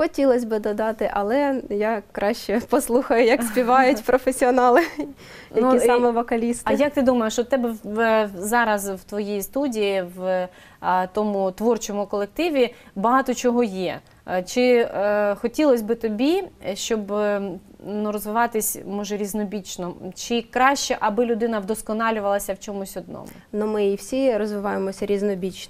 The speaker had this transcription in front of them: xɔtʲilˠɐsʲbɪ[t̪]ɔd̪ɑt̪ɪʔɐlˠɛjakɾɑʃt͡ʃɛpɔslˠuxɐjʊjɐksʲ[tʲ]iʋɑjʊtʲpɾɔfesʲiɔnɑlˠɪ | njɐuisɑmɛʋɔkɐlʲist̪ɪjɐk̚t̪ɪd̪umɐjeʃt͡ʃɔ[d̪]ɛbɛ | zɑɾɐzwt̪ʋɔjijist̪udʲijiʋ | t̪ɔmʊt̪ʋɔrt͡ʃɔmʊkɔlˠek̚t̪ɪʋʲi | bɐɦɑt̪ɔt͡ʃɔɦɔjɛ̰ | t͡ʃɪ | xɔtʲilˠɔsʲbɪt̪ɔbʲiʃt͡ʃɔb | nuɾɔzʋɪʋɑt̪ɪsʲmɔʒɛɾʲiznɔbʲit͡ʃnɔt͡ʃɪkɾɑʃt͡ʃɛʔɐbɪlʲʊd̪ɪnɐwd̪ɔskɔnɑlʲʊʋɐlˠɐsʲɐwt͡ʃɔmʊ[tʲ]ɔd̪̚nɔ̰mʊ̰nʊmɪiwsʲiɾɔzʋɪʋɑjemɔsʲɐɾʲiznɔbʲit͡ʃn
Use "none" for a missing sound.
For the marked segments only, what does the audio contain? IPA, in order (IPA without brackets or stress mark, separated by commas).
d̪, pʲ, t̪, sʲ